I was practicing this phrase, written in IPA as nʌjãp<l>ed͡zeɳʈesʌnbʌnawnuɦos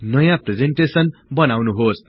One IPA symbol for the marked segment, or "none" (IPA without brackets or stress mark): r